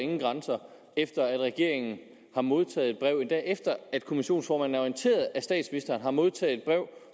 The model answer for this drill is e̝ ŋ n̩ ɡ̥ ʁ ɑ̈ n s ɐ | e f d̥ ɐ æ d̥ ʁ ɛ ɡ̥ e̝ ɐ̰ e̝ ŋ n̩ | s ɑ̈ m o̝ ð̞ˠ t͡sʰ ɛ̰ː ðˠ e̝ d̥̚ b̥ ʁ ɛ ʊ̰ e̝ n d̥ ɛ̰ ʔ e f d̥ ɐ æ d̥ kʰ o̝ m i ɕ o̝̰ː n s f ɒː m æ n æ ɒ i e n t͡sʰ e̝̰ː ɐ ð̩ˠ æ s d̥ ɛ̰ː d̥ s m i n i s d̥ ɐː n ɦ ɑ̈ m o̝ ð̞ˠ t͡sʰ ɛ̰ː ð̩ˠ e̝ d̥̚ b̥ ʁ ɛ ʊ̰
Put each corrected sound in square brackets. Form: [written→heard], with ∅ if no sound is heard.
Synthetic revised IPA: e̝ ŋ n̩ ɡ̥ ʁ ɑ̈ n s ɐ | e f d̥ ɐ æ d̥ ʁ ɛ ɡ̥ e̝ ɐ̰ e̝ ŋ n̩ | [s→h] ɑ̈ m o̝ ð̞ˠ t͡sʰ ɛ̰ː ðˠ e̝ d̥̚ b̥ ʁ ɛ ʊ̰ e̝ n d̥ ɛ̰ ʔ e f d̥ ɐ æ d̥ kʰ o̝ m i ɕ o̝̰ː n s f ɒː m æ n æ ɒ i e n t͡sʰ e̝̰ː ɐ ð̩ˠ æ s d̥ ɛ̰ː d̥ s m i n i s d̥ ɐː n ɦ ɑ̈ m o̝ ð̞ˠ t͡sʰ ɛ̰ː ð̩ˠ e̝ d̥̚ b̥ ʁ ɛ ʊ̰